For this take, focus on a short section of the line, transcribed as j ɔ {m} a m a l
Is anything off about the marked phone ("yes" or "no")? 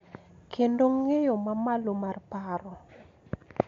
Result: no